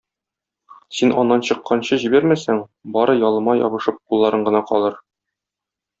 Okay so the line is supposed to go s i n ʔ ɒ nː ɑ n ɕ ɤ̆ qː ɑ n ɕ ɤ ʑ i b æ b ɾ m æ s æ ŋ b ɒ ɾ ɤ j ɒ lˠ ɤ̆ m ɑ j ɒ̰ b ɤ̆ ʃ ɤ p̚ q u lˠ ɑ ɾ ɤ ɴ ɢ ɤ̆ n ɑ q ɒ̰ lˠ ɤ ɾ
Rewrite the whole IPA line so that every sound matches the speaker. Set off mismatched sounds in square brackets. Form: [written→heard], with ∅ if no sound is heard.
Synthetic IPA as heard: s i n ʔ ɒ nː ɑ n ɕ ɤ̆ qː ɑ n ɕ ɤ ʑ i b æ [b→∅] ɾ m æ s æ ŋ b ɒ ɾ ɤ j ɒ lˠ ɤ̆ m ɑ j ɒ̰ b ɤ̆ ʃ ɤ p̚ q u [lˠ→lˠː] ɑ ɾ ɤ ɴ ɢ ɤ̆ n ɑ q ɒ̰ lˠ ɤ ɾ